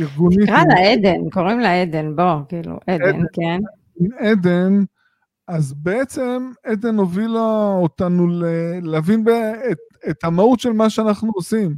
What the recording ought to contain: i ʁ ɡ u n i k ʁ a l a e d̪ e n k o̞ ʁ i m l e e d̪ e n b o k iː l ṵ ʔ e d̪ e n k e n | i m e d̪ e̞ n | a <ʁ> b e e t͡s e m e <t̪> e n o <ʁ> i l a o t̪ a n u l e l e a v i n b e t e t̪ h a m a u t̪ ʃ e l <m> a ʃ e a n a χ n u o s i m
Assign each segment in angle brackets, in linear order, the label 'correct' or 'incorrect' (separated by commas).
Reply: incorrect, incorrect, incorrect, correct